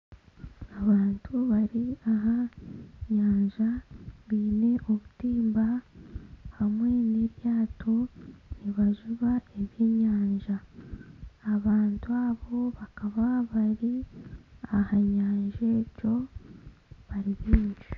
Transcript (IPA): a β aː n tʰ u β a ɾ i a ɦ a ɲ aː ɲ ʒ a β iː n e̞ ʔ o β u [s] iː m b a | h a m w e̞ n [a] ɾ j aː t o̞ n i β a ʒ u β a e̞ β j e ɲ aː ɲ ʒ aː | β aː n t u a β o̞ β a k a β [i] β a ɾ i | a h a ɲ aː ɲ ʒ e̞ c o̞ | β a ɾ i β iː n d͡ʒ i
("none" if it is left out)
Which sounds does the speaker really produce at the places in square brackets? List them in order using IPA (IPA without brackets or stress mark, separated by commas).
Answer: t, e, a